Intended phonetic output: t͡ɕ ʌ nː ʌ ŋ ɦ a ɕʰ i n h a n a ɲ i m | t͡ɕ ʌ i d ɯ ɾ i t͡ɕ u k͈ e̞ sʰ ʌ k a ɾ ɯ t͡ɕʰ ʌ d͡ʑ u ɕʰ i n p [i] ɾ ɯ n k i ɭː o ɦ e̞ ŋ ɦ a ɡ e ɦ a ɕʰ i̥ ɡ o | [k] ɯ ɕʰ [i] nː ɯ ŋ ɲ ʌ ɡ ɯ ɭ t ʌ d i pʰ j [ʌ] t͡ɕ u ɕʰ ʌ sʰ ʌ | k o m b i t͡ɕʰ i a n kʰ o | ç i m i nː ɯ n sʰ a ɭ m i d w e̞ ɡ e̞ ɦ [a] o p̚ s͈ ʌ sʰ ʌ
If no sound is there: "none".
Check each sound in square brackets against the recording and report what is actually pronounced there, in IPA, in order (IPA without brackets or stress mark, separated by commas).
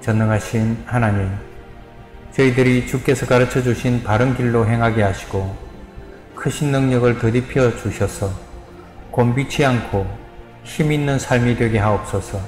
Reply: a, kʰ, i, ʌ, a